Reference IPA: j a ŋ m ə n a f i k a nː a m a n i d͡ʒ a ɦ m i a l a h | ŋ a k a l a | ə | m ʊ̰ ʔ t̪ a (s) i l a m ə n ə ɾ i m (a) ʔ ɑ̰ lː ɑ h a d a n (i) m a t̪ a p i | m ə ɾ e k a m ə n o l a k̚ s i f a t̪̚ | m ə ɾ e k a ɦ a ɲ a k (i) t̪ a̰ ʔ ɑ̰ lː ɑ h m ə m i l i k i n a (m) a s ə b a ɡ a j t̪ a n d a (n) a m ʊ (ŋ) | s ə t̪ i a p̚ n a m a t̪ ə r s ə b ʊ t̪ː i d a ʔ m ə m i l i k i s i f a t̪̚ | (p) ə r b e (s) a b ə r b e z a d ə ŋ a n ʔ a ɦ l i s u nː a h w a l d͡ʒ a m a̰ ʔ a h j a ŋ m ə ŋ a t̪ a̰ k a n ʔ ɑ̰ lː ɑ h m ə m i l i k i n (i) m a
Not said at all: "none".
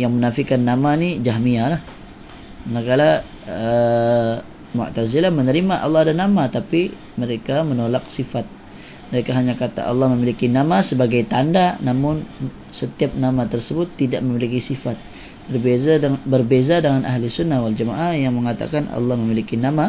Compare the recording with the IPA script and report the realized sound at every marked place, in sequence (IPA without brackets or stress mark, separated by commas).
z, a, a, a, m, n, n, b, z, a